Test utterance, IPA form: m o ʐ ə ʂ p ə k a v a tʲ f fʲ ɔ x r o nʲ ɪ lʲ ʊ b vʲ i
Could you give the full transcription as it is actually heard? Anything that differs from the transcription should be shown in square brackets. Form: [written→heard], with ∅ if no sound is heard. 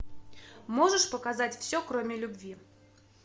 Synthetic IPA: m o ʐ ə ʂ p ə k a [v→z] a tʲ f [fʲ→sʲ] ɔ [x→k] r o [nʲ→mʲ] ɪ lʲ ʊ b vʲ i